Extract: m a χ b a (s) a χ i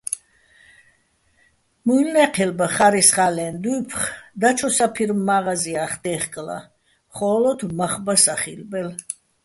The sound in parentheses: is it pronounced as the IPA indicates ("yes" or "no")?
yes